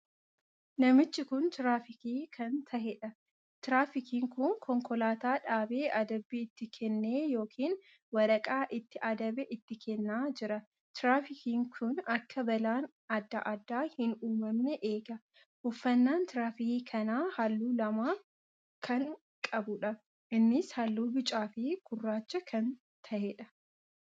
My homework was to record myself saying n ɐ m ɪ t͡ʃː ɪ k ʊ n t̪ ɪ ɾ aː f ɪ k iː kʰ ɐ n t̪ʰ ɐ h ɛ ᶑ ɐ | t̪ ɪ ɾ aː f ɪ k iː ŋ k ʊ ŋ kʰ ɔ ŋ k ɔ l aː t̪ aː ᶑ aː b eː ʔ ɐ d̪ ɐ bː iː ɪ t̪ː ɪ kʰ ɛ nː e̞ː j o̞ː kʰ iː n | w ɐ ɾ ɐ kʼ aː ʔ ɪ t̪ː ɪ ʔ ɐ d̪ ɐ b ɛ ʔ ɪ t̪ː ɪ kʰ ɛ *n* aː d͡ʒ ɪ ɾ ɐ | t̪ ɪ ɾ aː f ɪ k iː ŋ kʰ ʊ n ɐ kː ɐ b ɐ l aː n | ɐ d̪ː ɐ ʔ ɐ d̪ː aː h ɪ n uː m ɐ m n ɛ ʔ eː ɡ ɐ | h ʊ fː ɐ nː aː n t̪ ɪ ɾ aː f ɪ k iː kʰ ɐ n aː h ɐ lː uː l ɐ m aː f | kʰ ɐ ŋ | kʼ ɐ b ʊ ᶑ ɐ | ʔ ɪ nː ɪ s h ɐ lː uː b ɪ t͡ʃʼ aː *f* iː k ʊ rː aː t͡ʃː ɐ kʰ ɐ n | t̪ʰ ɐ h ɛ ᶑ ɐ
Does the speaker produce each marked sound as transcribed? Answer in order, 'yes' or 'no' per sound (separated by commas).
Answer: no, yes